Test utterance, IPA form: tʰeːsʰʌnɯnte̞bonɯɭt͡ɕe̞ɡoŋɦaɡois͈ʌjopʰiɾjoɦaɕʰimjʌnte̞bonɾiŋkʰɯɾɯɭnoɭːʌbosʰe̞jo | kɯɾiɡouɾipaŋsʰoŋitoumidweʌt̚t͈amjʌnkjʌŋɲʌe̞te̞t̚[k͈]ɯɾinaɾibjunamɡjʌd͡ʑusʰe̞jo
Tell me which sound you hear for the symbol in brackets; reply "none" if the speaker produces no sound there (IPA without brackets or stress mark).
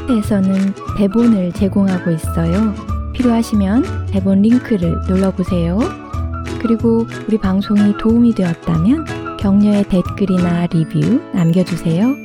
k͈